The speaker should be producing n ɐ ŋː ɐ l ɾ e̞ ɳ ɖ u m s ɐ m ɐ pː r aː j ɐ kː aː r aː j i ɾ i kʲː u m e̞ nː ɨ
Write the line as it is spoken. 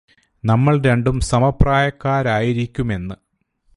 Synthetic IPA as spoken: n ɐ mː ɐ ɭ ɾ e̞ ɳ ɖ u m s ɐ m ɐ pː r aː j ɐ kː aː ɾ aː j i ɾ i kʲː u m e̞ nː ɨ

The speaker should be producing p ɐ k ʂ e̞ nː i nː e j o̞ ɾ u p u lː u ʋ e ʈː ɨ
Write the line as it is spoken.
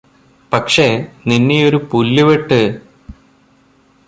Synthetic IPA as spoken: p ɐ k ʂ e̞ n i nː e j o̞ ɾ u p u lː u ʋ e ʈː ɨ

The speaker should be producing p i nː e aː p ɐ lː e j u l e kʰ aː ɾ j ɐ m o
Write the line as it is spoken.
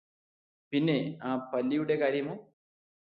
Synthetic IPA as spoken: p i nː e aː p ɐ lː i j u ɽ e k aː ɾ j ɐ m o

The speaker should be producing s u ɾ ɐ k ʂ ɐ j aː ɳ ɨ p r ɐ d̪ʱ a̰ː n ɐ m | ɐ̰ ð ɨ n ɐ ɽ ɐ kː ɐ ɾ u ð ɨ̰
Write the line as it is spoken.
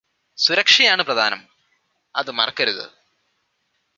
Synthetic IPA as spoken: s u ɾ ɐ k ʂ ɐ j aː ɳ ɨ p r ɐ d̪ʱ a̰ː n ɐ m | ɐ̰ ð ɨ m ɐ r ɐ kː ɐ ɾ u ð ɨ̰

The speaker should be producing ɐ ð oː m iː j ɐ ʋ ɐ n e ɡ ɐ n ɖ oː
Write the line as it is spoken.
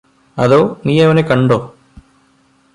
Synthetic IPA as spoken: ɐ ð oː n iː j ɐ ʋ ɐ n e k ɐ ɳ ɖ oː

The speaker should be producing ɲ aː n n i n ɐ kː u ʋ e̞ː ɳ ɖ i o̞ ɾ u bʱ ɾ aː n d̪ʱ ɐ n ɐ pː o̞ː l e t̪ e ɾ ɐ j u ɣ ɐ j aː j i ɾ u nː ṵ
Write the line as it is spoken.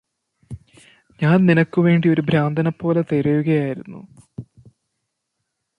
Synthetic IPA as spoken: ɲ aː n n i n ɐ kː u ʋ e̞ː ɳ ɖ i o̞ ɾ u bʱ ɾ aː n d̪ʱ ɐ n ɐ pː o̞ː l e t̪ e ɾ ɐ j u ɣ ɐ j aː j i ɾ u nː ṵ

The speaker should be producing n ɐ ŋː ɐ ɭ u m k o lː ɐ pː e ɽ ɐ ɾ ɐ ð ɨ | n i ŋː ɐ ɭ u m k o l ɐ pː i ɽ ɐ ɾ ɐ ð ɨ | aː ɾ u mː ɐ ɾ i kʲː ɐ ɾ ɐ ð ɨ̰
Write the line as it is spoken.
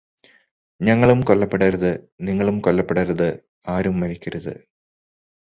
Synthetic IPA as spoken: ɲ ɐ ŋː ɐ ɭ u m k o lː ɐ pː e ɽ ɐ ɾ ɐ ð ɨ | n i ŋː ɐ ɭ u m k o lː ɐ pː e ɽ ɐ ɾ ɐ ð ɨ | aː ɾ u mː ɐ ɾ i kʲː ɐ ɾ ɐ ð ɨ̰

